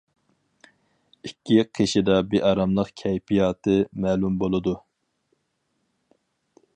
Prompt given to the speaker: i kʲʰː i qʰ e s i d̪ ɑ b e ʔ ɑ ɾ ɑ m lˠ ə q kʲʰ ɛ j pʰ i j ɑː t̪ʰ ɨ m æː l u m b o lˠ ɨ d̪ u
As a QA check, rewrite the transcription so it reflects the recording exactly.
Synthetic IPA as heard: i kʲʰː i qʰ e ʃ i d̪ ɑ b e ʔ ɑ ɾ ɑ m lˠ ə q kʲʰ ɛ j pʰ i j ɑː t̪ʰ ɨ m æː l u m b o lˠ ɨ d̪ u

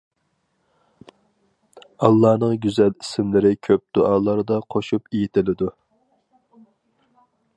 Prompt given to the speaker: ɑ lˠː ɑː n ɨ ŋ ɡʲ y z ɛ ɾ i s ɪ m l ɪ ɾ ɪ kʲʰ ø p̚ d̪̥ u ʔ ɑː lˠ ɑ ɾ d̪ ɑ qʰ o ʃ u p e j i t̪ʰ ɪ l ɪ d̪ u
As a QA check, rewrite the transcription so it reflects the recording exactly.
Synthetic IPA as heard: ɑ lˠː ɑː n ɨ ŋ ɡʲ y z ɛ l i s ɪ m l ɪ ɾ ɪ kʲʰ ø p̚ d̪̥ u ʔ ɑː lˠ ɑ ɾ d̪ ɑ qʰ o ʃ u p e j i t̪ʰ ɪ l ɪ d̪ u

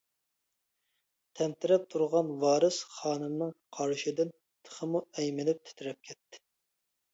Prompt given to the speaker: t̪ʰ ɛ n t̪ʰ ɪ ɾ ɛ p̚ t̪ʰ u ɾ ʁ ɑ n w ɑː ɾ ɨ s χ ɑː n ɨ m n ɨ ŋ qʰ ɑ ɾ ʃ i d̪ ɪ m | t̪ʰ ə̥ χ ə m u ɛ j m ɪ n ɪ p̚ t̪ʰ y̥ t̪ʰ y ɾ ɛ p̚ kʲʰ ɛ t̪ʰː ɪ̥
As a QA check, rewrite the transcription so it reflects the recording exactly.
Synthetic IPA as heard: t̪ʰ ɛ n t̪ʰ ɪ ɾ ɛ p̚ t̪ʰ u ɾ ʁ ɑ n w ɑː ɾ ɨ s χ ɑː n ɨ m n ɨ ŋ qʰ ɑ ɾ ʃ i d̪ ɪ n | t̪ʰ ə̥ χ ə m u ɛ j m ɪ n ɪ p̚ t̪ʰ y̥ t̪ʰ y ɾ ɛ p̚ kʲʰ ɛ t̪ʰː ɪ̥

